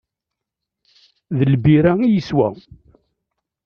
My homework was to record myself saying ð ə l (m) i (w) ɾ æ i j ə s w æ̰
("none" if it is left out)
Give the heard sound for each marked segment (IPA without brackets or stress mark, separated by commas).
b, none